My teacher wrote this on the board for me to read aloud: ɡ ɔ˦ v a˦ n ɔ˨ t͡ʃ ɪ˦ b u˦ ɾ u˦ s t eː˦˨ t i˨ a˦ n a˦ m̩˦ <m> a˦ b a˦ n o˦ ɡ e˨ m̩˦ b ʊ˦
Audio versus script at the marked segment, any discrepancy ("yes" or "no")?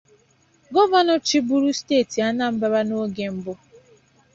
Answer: yes